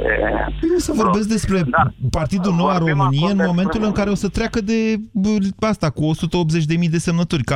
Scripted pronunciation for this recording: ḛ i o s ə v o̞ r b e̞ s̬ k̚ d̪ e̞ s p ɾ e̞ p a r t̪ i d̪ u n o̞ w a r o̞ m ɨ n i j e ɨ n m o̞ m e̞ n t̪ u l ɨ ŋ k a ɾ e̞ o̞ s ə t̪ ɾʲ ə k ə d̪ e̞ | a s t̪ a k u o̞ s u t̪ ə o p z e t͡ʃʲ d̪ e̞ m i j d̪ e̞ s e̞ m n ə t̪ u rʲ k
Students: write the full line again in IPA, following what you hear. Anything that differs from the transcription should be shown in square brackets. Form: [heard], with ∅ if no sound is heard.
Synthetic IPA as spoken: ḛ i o s ə v o̞ r b e̞ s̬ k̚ d̪ e̞ s p ɾ e̞ p a r t̪ i d̪ u n o̞ w a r o̞ m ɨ n i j e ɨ n m o̞ m e̞ n t̪ u l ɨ ŋ k a ɾ e̞ o̞ s ə t̪ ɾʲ [a] k ə d̪ e̞ | a s t̪ a k u o̞ s u t̪ ə o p z e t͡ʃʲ d̪ e̞ m i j d̪ e̞ s e̞ m n ə t̪ u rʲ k